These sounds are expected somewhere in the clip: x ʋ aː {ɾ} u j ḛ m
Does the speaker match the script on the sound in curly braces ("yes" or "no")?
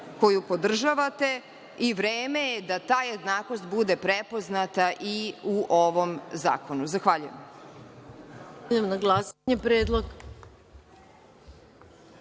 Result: no